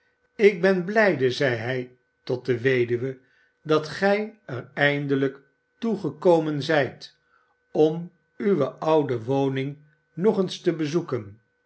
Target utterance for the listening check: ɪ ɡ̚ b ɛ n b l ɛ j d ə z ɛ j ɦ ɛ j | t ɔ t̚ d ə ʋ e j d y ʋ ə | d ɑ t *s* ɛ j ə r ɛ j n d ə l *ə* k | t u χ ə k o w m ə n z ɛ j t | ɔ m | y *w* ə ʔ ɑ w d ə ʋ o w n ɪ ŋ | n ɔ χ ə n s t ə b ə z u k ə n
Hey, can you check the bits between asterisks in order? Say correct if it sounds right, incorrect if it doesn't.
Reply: incorrect: χ, correct, incorrect: ʋ

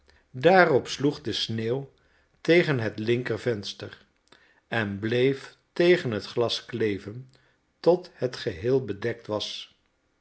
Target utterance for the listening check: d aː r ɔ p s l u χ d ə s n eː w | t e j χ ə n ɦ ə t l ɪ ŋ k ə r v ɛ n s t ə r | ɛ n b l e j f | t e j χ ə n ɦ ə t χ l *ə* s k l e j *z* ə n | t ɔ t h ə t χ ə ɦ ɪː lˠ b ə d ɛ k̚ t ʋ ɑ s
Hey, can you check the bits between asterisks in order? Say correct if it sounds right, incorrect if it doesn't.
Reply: incorrect: ɑ, incorrect: v

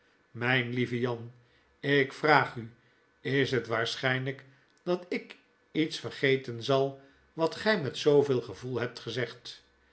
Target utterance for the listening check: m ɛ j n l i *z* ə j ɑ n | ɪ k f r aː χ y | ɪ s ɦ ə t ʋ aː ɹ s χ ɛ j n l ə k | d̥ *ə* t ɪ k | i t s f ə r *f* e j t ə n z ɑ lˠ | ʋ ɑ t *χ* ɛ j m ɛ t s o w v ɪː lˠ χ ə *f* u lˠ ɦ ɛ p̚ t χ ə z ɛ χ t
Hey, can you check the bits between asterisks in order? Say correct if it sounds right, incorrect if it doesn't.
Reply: incorrect: v, incorrect: ɑ, incorrect: χ, correct, incorrect: v

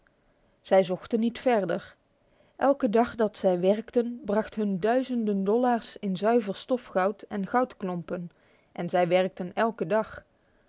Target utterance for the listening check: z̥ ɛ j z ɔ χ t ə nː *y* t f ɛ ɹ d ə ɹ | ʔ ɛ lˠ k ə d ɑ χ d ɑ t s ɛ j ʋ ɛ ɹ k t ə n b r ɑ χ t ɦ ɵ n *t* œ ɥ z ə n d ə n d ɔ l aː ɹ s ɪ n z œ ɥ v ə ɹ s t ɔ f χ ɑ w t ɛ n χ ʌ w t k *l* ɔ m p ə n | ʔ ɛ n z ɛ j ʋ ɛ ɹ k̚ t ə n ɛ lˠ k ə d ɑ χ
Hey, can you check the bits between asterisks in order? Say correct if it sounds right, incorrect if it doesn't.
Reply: incorrect: i, incorrect: d, correct

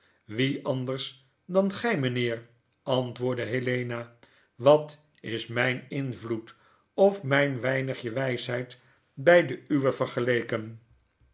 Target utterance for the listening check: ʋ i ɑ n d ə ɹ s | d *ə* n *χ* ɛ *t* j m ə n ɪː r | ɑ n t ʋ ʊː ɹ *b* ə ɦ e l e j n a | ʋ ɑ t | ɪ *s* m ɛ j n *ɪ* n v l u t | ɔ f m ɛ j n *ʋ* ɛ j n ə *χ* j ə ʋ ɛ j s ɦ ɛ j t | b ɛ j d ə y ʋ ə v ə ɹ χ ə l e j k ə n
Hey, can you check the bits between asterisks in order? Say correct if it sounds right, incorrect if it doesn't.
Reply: incorrect: ɑ, correct, incorrect: none, incorrect: d, correct, correct, correct, correct

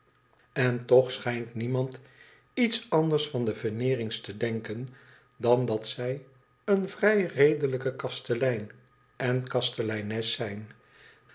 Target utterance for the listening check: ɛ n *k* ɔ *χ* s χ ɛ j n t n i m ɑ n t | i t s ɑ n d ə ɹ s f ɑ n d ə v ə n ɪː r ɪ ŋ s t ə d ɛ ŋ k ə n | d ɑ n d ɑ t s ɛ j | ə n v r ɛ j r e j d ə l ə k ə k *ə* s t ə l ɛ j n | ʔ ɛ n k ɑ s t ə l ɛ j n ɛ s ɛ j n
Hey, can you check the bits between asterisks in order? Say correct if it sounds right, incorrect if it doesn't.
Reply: incorrect: t, correct, incorrect: ɑ

